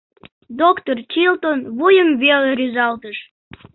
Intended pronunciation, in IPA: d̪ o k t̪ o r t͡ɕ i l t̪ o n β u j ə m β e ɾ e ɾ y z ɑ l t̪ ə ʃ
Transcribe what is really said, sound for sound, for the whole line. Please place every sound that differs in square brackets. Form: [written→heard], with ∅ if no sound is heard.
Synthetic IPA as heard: d̪ o k t̪ o r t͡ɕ i l t̪ o n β u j ə m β e [ɾ→l] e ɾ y z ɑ l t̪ ə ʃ